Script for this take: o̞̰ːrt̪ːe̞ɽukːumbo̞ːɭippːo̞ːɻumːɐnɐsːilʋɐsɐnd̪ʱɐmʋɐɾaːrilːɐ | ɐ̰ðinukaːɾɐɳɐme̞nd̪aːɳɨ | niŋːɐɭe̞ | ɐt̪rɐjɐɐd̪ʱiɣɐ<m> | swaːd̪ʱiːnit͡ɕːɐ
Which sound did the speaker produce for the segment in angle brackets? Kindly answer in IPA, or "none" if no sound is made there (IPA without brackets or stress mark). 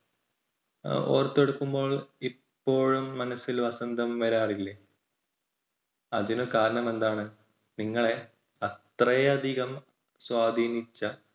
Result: m